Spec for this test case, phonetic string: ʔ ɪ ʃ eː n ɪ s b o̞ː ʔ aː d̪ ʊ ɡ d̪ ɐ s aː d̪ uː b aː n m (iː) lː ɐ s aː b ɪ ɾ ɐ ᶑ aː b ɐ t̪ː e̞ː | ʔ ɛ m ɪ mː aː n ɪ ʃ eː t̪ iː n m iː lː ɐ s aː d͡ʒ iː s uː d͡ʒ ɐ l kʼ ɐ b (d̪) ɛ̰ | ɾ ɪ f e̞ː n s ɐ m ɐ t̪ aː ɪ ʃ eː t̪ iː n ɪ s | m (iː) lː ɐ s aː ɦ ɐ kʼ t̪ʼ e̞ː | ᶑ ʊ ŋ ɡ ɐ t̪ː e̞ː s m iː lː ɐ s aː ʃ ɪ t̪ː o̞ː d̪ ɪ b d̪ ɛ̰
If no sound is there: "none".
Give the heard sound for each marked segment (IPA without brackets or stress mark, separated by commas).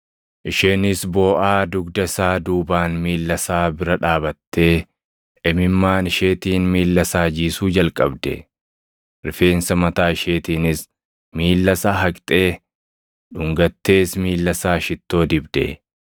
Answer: iː, d̪, iː